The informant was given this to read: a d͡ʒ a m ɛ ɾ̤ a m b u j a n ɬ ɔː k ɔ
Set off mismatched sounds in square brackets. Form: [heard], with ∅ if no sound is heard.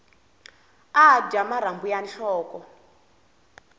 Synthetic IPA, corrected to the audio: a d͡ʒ a m [a] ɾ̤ a m b u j a n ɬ ɔː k ɔ